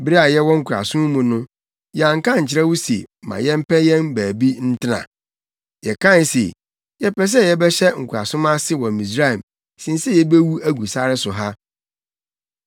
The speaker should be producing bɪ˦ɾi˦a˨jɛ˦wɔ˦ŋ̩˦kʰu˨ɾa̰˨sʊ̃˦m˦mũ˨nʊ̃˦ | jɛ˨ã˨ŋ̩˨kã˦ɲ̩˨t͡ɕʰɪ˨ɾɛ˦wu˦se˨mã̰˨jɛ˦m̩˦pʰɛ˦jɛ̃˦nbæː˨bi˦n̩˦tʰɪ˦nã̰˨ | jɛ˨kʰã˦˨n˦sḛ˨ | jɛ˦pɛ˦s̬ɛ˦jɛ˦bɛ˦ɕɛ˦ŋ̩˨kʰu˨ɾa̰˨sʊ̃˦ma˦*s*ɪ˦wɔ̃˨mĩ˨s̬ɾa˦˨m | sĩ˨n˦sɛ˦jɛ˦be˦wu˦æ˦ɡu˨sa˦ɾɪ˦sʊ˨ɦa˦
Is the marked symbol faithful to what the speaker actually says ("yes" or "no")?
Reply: yes